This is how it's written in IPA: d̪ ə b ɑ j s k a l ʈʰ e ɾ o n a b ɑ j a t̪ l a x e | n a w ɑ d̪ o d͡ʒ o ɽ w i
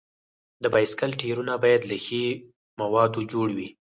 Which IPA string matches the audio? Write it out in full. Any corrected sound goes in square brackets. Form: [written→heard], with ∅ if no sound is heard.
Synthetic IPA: d̪ ə b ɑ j s k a l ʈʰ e ɾ [o→u] n a b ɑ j a [t̪→d̪] l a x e | [n→m] a w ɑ d̪ o d͡ʒ o ɽ w i